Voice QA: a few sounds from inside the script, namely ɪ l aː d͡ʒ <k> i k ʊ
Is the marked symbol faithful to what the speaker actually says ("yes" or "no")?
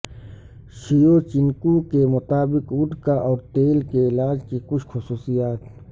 yes